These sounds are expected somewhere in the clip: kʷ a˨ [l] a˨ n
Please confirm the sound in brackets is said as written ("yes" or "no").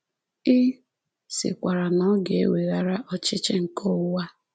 no